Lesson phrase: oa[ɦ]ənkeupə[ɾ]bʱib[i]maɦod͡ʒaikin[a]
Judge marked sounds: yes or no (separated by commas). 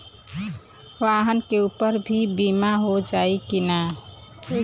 yes, yes, yes, yes